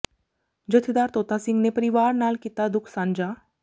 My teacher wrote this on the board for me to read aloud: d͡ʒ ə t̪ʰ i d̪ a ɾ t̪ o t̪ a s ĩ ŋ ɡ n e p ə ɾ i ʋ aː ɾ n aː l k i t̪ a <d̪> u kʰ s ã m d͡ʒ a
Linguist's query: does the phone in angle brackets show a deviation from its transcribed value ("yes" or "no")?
no